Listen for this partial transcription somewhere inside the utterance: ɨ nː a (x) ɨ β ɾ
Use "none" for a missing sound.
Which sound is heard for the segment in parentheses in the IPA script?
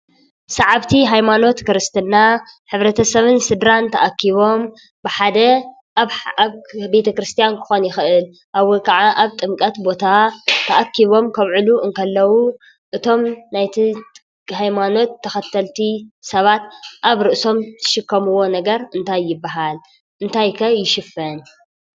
ħ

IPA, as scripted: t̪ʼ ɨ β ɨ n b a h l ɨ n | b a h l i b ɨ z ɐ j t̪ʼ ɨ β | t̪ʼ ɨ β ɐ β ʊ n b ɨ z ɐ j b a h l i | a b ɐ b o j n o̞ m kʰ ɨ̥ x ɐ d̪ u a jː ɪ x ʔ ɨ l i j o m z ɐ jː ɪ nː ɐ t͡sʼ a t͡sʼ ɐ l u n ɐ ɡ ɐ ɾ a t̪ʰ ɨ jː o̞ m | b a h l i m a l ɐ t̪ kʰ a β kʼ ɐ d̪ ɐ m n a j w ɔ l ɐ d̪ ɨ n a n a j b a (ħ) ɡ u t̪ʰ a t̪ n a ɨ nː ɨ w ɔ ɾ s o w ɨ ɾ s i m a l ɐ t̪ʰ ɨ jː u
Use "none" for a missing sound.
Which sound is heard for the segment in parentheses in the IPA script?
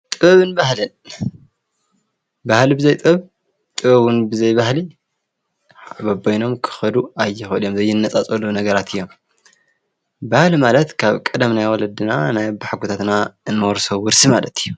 ħ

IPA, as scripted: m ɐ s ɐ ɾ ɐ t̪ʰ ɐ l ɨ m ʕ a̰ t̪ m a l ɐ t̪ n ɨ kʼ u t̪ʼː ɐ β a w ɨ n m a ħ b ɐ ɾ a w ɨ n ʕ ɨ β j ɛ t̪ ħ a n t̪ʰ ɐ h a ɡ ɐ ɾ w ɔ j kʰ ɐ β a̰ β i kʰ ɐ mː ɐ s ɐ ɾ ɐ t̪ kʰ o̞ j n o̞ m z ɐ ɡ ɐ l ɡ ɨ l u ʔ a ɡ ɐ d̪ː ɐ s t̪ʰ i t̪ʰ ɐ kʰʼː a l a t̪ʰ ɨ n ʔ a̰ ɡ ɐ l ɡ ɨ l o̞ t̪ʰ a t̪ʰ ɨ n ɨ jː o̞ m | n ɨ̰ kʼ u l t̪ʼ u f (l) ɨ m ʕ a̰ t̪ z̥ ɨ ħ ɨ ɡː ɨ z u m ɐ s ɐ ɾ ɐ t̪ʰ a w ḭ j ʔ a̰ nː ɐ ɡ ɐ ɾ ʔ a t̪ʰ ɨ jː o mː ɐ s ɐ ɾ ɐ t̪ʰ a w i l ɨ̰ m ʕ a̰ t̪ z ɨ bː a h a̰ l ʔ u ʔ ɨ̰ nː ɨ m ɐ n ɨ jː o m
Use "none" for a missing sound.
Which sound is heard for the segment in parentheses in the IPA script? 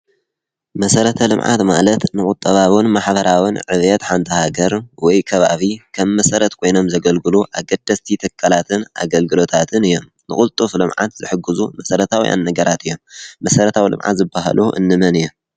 l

